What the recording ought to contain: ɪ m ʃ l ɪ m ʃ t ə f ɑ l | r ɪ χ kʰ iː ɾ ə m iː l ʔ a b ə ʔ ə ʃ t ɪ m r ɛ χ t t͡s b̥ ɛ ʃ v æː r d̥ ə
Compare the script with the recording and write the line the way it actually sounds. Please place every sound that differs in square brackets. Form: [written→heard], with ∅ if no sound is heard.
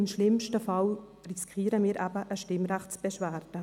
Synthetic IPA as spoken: ɪ m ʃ l ɪ m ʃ t ə f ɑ l | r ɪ [χ→s] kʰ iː ɾ ə m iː [l→ɾ] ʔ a b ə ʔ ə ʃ t ɪ m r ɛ χ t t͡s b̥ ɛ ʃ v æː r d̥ ə